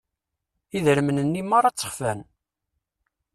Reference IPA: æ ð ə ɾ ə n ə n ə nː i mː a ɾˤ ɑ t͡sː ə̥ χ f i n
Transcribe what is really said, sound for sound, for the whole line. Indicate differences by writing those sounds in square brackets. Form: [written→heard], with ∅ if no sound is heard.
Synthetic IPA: [æ→i] ð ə ɾ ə [n→m] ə n ə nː i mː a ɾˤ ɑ t͡sː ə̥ χ f [i→æ] n